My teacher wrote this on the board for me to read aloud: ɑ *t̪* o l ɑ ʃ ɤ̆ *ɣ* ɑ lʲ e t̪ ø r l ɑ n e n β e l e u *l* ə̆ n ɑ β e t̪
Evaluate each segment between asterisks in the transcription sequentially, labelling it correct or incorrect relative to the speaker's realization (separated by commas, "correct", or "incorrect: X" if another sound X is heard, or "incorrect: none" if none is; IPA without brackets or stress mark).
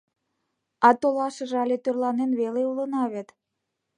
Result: correct, incorrect: ʒ, correct